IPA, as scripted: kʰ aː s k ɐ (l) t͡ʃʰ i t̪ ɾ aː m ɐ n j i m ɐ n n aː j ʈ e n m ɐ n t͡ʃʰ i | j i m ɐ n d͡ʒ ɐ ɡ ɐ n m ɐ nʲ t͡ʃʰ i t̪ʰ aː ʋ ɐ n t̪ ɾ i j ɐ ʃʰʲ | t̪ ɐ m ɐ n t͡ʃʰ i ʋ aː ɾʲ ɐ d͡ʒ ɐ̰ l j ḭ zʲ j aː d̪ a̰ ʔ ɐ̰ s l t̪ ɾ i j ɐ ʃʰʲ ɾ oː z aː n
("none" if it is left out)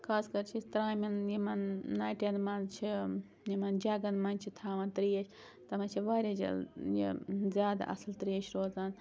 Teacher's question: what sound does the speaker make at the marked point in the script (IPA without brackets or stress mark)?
ɾ